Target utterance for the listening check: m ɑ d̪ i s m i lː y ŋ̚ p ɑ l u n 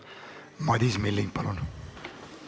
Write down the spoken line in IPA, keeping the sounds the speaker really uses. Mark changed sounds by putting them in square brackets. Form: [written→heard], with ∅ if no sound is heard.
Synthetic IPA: m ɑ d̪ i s m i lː [y→i] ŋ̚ p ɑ l u n